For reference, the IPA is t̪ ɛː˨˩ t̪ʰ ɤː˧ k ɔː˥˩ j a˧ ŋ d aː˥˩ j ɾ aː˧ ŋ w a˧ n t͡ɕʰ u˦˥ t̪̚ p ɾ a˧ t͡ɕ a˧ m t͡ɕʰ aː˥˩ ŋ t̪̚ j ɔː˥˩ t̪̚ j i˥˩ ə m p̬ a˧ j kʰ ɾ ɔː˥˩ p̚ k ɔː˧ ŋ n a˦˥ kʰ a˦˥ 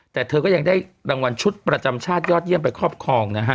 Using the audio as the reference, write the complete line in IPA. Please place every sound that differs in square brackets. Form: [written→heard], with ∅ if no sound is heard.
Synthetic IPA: t̪ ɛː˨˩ t̪ʰ ɤː˧ k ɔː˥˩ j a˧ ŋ d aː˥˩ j ɾ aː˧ ŋ w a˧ n t͡ɕʰ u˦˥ t̪̚ p ɾ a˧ t͡ɕ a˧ m t͡ɕʰ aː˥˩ [ŋ→∅] t̪̚ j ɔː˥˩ t̪̚ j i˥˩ ə m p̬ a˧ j kʰ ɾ ɔː˥˩ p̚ [k→kʰ] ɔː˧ ŋ n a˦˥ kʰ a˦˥